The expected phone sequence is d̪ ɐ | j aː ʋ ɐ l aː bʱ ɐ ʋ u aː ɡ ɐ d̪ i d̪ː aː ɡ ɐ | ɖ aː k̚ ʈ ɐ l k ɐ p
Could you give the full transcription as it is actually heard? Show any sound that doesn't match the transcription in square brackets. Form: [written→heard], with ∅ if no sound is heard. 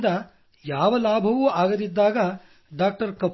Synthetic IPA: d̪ ɐ | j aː ʋ ɐ l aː bʱ ɐ ʋ u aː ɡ ɐ d̪ i d̪ː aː ɡ ɐ | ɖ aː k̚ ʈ ɐ [l→ɾ] k ɐ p